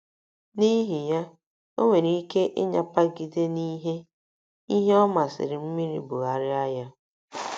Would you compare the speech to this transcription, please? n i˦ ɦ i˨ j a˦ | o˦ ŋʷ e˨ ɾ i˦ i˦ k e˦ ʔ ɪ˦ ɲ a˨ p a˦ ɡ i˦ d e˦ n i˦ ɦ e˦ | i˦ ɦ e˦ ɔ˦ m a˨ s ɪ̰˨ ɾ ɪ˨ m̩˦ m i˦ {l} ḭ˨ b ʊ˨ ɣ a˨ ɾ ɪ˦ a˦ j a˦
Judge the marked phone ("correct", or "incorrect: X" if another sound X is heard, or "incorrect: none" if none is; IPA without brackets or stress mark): incorrect: ɾ